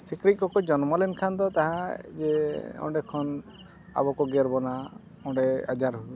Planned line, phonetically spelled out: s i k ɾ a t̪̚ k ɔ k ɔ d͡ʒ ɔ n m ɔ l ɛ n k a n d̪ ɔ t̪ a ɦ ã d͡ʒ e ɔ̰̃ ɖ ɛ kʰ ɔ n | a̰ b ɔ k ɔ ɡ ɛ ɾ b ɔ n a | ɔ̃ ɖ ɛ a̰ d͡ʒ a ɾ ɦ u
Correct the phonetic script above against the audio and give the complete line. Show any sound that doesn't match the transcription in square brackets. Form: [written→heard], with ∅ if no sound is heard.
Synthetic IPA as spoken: s i k ɾ [a→i] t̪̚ k ɔ k ɔ d͡ʒ ɔ n m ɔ l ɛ n [k→kʰ] a n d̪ ɔ t̪ a ɦ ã d͡ʒ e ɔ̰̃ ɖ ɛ kʰ ɔ n | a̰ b ɔ k ɔ ɡ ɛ ɾ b ɔ n a | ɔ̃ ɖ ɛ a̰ d͡ʒ a ɾ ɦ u